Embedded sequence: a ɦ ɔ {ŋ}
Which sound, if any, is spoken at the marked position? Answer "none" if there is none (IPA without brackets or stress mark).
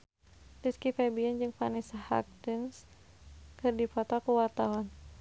n